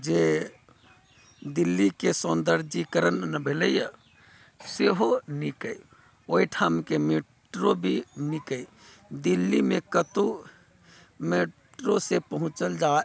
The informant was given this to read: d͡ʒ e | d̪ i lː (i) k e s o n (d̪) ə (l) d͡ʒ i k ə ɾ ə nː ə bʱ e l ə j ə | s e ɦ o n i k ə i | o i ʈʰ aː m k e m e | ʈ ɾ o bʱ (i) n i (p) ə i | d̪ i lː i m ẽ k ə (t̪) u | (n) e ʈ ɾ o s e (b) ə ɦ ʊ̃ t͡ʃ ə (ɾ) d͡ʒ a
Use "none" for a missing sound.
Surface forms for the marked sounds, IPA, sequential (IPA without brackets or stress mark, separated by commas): i, d̪, ɾ, i, k, t̪, m, p, l